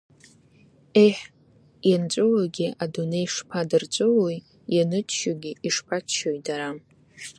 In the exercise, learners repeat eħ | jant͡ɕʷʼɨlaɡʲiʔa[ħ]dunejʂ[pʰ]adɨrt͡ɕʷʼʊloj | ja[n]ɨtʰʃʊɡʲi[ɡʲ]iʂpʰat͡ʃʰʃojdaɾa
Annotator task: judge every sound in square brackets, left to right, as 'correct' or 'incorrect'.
incorrect: none, correct, correct, incorrect: none

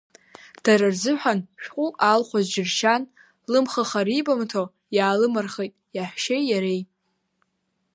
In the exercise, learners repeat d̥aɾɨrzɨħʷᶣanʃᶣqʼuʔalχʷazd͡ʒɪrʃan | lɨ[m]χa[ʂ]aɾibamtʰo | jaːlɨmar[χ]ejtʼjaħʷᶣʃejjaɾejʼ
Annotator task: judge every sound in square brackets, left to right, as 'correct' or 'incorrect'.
correct, incorrect: χ, correct

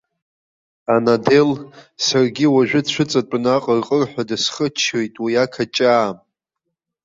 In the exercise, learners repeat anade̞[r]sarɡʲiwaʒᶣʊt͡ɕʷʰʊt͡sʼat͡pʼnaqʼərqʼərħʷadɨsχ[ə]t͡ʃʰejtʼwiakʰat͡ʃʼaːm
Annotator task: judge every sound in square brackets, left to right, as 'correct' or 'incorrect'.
incorrect: l, correct

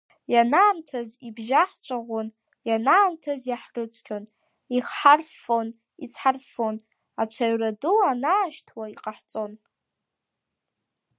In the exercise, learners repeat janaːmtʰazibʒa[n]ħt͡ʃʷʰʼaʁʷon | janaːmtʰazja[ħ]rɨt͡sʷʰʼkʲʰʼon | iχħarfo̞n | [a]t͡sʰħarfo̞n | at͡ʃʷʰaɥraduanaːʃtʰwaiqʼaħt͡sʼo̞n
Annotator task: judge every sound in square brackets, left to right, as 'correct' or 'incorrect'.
incorrect: none, correct, incorrect: i

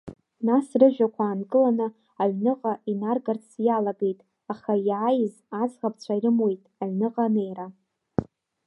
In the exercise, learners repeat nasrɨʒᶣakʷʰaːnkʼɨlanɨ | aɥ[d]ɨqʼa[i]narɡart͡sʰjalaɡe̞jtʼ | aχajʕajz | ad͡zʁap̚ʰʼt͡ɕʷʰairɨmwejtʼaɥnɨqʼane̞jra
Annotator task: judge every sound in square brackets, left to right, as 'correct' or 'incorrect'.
incorrect: n, correct

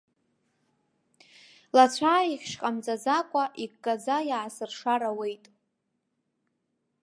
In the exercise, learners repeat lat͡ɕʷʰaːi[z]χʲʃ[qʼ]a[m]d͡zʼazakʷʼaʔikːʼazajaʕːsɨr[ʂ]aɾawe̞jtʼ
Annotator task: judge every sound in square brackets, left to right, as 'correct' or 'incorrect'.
incorrect: none, correct, correct, correct

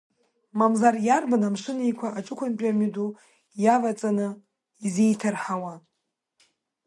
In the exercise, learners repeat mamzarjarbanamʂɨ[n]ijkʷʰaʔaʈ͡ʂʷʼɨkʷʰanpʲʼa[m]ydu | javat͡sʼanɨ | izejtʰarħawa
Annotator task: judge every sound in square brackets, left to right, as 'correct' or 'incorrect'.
correct, correct

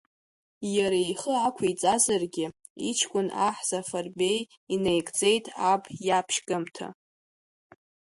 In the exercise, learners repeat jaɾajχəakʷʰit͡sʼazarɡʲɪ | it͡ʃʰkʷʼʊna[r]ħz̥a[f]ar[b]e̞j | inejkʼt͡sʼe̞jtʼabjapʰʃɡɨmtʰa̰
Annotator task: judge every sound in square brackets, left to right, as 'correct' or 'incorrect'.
incorrect: none, correct, correct

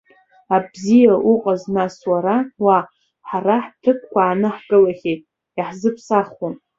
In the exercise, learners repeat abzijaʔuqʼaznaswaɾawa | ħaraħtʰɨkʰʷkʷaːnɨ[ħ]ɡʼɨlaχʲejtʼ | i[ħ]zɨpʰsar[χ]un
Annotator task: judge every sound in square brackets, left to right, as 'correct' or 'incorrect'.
correct, correct, correct

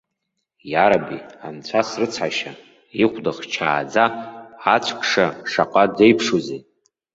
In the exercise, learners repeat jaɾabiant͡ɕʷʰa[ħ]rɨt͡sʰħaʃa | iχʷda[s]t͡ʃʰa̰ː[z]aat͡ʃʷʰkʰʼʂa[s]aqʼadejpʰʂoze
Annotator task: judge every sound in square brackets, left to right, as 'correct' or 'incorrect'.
incorrect: s, incorrect: χ, incorrect: d͡z, incorrect: ʂ

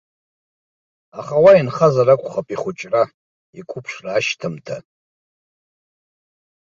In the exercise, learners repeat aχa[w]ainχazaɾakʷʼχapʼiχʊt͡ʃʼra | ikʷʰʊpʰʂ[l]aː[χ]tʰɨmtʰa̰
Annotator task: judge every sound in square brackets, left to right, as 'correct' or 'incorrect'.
correct, incorrect: r, incorrect: ʃ

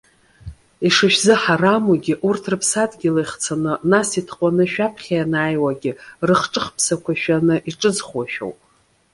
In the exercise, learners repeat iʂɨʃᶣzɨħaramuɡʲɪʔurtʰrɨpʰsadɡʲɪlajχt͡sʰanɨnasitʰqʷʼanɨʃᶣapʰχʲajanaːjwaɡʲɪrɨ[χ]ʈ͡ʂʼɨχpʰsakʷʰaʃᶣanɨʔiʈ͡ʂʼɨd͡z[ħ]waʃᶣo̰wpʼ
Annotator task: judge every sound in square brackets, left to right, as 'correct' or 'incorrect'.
correct, incorrect: χ

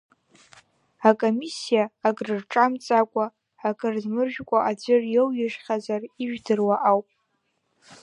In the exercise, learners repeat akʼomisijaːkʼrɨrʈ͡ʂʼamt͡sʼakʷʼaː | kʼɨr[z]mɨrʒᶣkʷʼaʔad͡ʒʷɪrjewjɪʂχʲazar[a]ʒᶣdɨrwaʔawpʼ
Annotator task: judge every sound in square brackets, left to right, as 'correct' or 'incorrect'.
correct, incorrect: i

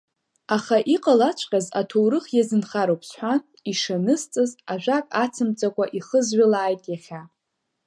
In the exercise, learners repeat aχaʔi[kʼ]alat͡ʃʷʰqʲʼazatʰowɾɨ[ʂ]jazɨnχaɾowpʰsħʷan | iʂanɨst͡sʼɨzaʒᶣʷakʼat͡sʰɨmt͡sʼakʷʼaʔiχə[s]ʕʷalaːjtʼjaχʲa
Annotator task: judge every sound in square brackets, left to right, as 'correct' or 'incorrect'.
incorrect: qʼ, incorrect: χ, incorrect: z

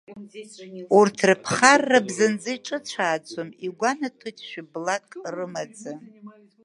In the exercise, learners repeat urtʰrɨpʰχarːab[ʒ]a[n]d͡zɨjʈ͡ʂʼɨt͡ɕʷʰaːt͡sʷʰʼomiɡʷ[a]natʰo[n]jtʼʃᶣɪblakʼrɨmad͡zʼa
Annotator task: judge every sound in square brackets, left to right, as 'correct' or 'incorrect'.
incorrect: z, correct, correct, incorrect: none

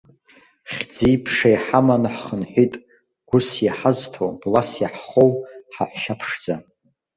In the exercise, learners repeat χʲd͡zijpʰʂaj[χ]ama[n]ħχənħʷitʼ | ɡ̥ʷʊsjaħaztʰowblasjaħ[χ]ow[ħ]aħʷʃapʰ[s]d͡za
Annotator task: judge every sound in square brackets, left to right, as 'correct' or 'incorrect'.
incorrect: ħ, correct, correct, correct, incorrect: ʂ

